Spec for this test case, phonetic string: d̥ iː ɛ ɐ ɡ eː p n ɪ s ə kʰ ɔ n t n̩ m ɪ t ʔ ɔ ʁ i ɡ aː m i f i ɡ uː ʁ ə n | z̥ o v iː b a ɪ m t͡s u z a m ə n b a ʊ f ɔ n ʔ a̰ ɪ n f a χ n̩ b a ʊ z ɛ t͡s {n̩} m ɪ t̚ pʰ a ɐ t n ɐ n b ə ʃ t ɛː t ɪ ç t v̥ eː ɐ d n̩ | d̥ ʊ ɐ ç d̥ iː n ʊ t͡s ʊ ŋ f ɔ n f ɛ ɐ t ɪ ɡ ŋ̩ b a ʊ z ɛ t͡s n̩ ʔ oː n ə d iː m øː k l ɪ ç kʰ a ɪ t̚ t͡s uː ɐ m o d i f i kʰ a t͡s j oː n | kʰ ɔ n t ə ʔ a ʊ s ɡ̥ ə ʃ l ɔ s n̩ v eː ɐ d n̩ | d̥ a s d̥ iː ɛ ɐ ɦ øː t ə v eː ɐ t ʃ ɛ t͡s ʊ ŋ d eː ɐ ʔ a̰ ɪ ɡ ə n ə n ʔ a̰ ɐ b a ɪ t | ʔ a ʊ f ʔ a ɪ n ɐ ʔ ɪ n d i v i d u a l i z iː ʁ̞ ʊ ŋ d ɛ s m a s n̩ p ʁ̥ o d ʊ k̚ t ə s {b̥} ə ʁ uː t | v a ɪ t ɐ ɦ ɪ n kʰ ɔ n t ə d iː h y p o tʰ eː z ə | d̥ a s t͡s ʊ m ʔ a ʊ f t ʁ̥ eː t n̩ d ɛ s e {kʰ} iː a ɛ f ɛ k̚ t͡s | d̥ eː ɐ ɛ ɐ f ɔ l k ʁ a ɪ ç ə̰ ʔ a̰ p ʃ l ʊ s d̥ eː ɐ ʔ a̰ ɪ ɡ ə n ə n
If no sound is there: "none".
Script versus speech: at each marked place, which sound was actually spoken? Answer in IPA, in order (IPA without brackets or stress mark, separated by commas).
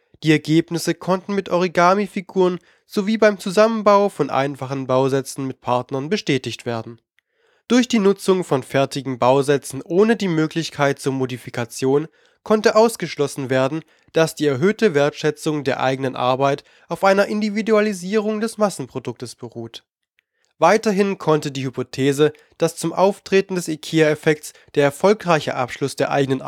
n̩, b̥, kʰ